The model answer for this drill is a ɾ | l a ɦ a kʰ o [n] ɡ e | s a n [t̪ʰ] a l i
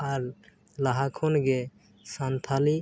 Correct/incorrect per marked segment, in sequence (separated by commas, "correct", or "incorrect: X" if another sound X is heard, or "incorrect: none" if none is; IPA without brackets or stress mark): correct, correct